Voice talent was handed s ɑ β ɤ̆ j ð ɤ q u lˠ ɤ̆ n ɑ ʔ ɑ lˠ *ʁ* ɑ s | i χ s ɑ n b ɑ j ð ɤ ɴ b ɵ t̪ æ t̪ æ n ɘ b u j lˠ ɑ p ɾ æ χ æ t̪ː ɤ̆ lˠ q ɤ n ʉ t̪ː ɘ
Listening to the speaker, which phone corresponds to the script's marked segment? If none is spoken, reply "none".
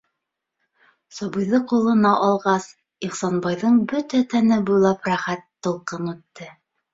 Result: ʁ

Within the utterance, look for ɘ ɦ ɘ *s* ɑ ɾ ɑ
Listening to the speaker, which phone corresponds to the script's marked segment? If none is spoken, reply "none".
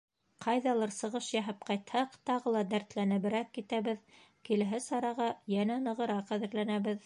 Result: s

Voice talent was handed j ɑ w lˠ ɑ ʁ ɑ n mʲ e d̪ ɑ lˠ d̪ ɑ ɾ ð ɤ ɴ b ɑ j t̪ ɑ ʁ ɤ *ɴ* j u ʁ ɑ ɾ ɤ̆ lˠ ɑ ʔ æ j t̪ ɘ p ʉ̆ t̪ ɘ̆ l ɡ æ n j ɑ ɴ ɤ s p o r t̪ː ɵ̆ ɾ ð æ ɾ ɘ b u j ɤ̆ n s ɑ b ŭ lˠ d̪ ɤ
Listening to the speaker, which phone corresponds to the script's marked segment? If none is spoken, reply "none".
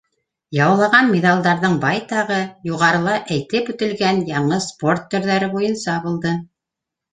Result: none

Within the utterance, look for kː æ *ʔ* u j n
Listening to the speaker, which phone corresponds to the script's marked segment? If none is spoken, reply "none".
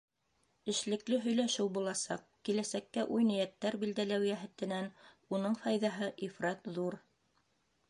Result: ʔ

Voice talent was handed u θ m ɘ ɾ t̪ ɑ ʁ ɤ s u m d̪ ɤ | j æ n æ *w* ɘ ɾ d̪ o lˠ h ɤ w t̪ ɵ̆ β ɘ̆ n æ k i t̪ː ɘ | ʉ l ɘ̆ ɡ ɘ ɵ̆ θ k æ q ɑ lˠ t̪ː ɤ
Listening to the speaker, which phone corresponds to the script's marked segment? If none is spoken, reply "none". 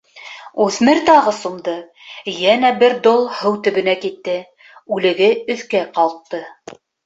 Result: b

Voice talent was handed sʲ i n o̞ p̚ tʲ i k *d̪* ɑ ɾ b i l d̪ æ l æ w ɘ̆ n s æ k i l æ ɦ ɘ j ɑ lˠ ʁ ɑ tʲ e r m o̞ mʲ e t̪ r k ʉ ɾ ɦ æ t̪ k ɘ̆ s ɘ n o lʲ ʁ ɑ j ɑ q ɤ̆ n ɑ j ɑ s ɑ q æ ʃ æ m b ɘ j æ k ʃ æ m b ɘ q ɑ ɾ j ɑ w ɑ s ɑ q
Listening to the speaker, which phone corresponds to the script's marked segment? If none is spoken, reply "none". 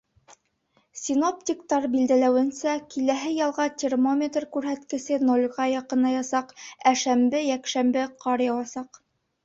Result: t̪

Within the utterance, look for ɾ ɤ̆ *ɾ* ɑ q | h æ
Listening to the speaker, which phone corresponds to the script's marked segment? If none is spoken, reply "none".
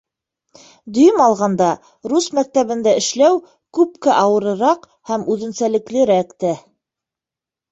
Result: ɾ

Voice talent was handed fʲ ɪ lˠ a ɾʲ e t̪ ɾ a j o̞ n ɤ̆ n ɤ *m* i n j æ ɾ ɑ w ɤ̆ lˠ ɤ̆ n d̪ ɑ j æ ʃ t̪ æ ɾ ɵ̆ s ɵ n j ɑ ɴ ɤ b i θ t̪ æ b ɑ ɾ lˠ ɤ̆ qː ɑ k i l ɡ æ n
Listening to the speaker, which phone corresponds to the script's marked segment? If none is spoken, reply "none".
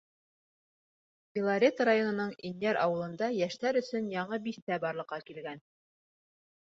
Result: ɴ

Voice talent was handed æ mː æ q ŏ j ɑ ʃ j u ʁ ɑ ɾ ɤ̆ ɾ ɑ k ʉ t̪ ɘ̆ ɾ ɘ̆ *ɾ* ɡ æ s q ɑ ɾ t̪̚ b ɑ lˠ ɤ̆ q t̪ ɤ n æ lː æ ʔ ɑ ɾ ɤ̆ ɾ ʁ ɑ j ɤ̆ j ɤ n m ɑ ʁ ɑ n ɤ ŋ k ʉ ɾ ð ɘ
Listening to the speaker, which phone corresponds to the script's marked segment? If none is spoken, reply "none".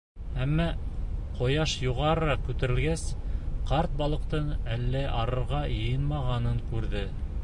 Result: l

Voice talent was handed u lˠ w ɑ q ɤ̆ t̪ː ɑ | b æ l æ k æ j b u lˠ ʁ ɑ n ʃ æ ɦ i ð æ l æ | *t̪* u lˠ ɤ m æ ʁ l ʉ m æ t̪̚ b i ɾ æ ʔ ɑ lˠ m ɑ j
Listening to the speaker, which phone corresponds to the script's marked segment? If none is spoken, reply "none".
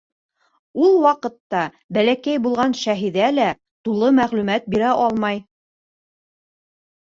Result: t̪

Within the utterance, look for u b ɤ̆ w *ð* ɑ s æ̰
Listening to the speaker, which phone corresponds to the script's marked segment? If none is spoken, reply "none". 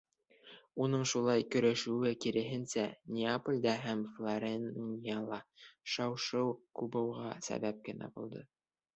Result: ʁ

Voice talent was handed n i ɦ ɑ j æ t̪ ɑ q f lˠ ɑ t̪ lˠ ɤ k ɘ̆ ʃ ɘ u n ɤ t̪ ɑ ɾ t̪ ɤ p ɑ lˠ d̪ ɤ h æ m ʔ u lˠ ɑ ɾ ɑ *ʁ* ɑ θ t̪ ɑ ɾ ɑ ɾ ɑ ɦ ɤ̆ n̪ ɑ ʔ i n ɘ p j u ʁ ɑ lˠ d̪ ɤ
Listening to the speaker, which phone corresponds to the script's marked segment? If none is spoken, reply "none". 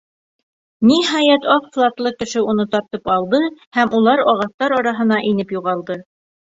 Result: ʁ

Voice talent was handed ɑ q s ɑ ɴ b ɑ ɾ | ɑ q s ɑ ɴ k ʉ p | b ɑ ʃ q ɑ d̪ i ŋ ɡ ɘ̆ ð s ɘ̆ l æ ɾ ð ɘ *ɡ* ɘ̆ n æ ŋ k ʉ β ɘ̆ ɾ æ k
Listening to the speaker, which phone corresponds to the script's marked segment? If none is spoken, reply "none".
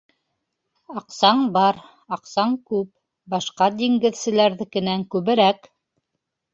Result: k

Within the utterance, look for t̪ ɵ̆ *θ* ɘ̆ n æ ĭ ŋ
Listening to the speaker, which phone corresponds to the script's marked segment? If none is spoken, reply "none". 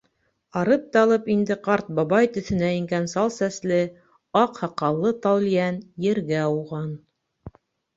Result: θ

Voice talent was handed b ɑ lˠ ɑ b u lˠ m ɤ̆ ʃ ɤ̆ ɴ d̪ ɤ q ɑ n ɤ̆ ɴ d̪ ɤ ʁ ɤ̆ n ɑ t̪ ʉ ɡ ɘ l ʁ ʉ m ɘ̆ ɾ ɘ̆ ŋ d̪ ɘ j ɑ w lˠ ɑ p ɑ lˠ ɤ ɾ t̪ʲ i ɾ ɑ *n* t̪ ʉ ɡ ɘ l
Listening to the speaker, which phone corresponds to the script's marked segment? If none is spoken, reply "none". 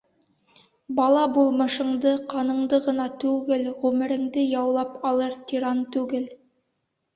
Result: n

